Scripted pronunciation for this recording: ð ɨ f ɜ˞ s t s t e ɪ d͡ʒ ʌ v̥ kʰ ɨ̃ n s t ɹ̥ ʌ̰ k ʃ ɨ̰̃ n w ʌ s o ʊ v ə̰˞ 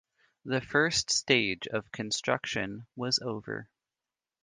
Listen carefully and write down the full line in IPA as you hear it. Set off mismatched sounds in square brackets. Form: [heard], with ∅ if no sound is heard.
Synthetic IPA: ð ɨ f ɜ˞ s t s t e ɪ d͡ʒ ʌ v̥ kʰ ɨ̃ n s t ɹ̥ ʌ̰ k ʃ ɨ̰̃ n w ʌ [z] o ʊ v ə̰˞